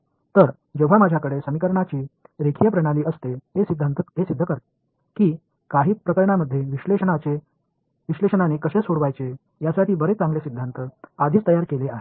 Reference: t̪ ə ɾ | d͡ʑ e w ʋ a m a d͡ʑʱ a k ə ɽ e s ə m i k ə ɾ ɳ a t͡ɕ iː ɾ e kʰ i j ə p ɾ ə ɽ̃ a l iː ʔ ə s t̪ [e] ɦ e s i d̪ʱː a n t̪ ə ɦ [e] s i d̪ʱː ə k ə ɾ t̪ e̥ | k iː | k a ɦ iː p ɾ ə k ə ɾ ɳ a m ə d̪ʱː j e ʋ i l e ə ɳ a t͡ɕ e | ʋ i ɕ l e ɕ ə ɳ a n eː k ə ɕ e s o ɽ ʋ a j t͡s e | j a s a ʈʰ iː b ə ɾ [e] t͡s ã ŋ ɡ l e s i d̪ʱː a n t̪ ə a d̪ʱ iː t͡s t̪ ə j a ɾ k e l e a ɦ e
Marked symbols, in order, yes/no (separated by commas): yes, yes, yes